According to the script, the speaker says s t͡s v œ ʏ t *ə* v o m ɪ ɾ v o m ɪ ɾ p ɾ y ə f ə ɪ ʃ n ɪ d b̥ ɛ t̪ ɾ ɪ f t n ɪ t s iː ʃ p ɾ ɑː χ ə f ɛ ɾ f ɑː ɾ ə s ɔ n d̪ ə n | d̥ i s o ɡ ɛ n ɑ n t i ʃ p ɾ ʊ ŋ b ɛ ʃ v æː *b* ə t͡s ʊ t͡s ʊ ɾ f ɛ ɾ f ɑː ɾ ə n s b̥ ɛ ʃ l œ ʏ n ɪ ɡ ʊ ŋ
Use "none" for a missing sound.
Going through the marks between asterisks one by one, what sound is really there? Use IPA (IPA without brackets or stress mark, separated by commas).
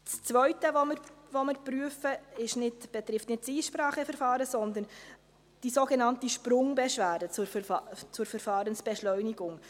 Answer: ə, d